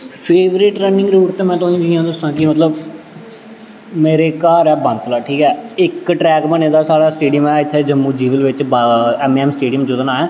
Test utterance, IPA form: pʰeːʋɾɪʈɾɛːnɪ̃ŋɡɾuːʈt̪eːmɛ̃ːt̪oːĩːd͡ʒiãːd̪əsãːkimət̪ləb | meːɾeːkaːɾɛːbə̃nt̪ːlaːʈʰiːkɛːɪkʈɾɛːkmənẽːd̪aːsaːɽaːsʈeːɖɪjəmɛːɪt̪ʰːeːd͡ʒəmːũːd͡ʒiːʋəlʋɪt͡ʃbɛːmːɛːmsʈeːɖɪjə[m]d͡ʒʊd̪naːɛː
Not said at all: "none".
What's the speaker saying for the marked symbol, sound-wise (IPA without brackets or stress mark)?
m